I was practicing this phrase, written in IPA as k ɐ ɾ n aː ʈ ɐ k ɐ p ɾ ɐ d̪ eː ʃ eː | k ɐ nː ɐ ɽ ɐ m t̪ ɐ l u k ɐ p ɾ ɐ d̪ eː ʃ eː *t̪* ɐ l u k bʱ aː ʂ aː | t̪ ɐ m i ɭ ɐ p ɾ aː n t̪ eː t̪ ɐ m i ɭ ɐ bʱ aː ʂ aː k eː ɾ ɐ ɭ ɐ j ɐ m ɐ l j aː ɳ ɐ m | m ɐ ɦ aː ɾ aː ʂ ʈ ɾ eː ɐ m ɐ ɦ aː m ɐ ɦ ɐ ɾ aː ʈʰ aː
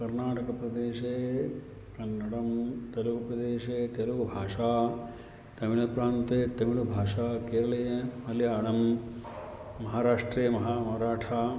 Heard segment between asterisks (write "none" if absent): t̪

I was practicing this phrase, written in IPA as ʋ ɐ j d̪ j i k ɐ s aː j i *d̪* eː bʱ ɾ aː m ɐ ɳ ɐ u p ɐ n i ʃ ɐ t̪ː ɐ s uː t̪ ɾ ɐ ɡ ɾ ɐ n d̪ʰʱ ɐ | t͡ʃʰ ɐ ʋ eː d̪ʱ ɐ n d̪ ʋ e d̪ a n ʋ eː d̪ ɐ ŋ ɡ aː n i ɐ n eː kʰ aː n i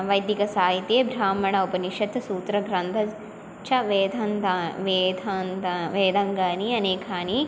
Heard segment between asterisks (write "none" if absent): t̪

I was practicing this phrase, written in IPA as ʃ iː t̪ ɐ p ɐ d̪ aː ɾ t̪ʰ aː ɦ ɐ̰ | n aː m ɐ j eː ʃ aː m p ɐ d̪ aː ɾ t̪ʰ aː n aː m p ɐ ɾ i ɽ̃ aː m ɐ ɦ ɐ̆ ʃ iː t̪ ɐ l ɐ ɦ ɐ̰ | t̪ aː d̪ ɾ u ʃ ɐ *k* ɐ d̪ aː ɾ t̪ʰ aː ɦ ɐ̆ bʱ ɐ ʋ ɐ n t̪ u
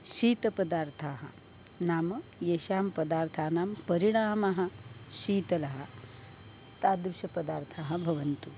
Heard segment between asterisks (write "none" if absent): p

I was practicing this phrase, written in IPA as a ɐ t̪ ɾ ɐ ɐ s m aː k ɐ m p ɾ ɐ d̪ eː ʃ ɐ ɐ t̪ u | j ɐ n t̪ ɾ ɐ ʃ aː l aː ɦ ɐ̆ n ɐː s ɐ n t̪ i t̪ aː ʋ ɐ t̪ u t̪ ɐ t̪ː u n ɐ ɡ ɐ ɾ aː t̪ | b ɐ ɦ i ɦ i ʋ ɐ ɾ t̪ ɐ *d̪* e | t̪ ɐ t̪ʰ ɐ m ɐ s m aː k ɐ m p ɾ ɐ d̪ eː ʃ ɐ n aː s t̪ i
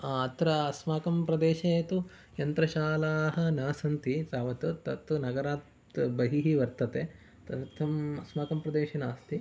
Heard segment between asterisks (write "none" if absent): t̪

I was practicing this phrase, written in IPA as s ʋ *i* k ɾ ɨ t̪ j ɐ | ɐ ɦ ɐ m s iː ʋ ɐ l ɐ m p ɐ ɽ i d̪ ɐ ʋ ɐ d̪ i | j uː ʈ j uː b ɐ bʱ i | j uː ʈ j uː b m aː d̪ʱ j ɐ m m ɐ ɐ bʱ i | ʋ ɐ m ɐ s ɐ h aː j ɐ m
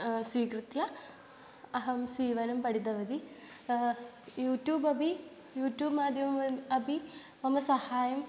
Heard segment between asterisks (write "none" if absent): iː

